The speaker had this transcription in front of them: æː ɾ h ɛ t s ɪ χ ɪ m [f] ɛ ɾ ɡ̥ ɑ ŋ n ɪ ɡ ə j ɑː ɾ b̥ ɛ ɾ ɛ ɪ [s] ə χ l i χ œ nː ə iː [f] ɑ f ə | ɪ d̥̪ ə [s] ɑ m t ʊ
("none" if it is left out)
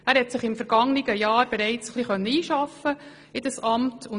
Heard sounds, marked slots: f, t͡s, ʃ, s

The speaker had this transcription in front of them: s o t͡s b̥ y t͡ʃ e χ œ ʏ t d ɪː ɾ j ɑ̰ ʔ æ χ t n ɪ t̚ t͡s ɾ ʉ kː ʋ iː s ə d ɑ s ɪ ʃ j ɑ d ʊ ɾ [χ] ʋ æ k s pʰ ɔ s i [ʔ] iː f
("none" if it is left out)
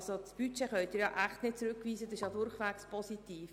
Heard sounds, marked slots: χ, t

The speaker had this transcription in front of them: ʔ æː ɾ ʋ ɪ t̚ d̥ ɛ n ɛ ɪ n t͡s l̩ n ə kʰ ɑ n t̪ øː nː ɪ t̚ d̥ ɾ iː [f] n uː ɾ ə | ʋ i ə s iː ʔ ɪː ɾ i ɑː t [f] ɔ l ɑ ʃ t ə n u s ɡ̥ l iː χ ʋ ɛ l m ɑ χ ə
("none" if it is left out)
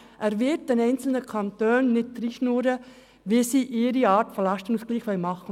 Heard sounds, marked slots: ʃ, f

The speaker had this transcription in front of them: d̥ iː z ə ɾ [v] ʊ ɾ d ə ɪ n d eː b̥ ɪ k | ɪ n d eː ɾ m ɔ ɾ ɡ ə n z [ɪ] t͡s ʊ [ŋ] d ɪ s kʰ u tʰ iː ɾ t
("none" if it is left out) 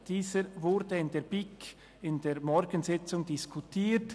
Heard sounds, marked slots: v, ɪ, ŋ

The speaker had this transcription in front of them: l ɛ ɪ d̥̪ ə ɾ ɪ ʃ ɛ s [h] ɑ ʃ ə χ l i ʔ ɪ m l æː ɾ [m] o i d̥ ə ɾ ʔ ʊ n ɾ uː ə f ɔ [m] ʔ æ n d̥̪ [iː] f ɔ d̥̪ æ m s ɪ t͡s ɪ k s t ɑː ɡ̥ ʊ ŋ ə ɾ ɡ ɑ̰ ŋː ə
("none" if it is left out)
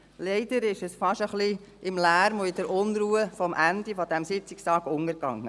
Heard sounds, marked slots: f, m, m, i

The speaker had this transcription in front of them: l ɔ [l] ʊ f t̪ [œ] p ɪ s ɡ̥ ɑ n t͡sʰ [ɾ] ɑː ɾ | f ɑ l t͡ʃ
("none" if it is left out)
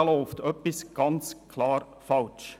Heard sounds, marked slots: none, œ, l

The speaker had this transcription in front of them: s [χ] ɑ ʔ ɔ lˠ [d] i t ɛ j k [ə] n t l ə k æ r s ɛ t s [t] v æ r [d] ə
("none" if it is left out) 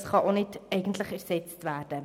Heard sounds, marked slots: χ, n, ə, t, d

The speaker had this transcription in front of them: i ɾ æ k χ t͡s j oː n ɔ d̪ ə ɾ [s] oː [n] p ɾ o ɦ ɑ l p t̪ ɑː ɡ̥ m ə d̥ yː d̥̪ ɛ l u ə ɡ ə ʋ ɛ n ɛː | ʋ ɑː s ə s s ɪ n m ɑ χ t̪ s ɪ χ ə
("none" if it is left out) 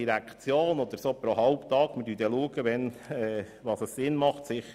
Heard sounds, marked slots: s, none

